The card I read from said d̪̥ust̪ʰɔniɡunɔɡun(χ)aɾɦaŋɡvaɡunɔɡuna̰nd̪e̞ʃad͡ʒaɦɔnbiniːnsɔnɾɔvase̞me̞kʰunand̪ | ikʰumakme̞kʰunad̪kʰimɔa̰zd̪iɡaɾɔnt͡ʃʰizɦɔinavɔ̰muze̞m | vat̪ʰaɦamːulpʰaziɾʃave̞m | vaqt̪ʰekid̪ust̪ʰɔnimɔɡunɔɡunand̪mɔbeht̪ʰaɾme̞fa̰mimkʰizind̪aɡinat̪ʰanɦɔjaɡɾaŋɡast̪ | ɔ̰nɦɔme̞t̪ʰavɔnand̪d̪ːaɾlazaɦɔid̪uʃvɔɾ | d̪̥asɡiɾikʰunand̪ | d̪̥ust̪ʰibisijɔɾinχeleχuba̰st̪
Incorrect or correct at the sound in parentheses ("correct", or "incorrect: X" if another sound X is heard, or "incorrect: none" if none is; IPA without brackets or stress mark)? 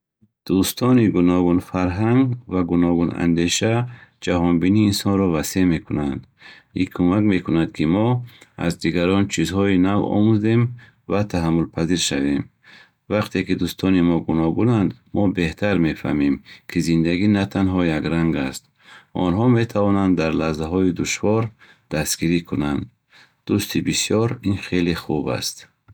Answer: incorrect: f